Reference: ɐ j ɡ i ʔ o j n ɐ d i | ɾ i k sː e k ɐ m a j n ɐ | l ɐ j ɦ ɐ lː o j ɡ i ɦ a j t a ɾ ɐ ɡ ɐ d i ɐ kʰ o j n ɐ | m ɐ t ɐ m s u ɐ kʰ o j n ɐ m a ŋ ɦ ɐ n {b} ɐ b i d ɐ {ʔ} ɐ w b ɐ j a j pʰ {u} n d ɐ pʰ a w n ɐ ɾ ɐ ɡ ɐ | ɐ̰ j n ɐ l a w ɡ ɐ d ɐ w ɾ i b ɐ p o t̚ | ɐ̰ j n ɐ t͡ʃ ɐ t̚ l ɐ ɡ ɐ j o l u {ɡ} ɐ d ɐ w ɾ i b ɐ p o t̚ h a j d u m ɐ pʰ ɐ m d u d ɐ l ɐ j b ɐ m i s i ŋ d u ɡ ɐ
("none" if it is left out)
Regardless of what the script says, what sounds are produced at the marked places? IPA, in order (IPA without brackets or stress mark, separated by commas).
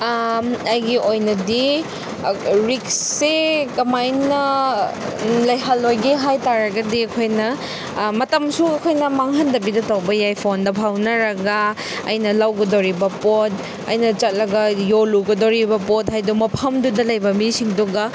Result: d, t, o, ɡ